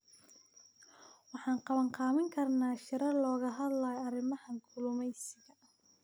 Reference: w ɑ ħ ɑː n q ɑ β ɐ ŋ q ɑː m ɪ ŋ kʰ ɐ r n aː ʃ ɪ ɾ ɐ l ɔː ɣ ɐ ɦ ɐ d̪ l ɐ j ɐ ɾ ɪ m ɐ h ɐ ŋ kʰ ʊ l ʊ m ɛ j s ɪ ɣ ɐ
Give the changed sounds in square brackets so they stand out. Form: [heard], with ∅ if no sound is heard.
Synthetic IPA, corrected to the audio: w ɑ ħ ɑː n q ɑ β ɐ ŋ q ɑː m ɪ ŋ kʰ ɐ r n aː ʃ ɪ ɾ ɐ l ɔː ɣ ɐ ɦ ɐ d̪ l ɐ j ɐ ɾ ɪ m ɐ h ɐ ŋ kʰ ʊ l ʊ m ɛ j s ɪ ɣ ɐ